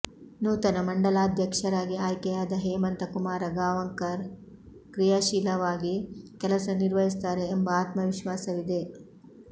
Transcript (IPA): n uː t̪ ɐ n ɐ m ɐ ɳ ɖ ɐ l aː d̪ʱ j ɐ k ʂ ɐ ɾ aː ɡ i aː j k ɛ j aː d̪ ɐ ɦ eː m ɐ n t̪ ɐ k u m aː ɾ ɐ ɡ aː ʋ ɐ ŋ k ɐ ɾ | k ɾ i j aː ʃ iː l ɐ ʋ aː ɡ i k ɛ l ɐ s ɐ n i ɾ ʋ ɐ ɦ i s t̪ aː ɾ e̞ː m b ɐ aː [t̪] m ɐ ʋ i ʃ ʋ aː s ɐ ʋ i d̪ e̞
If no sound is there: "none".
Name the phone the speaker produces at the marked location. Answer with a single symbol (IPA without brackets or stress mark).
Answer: t̪